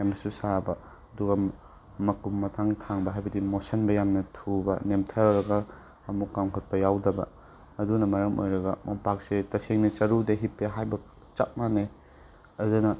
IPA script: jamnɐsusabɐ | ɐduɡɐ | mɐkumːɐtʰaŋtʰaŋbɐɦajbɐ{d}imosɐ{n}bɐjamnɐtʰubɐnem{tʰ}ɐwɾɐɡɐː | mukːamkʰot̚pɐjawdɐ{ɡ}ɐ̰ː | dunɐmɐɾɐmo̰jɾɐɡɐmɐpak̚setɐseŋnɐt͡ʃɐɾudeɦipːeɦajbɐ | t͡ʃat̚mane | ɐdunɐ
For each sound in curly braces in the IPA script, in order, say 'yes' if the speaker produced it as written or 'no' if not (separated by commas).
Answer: yes, yes, yes, no